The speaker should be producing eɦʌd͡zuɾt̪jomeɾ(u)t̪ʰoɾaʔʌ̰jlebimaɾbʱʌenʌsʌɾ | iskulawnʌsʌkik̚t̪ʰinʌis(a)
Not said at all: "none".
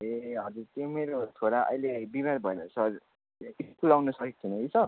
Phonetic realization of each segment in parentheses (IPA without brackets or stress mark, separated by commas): o, ʌ